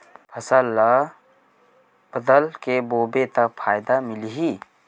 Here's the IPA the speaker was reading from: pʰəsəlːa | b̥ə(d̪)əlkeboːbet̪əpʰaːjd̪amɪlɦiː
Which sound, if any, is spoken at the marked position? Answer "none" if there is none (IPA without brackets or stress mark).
d̪